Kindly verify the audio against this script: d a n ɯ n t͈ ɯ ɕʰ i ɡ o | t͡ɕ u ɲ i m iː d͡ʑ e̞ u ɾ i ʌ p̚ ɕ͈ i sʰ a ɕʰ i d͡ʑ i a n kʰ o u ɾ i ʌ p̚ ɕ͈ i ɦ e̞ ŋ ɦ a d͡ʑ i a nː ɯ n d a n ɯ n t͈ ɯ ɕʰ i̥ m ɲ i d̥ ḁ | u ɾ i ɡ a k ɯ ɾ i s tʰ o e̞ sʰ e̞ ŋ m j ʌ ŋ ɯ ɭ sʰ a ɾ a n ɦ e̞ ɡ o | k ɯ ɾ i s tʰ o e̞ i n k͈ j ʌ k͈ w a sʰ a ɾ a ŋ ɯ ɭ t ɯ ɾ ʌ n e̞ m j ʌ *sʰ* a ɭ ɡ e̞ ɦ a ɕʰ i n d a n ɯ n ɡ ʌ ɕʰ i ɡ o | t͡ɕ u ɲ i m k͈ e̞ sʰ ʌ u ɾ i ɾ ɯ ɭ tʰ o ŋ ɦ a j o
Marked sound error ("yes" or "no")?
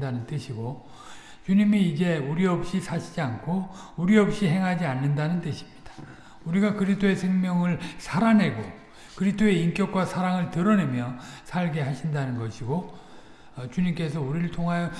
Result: no